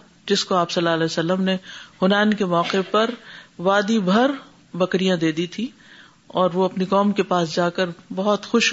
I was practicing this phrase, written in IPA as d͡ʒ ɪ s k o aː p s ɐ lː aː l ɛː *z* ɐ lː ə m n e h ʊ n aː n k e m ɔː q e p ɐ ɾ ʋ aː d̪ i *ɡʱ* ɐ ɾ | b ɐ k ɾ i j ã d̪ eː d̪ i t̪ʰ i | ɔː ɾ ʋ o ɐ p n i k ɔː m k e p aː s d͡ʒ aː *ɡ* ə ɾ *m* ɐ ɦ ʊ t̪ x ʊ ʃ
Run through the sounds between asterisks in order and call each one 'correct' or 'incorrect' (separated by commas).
incorrect, incorrect, incorrect, incorrect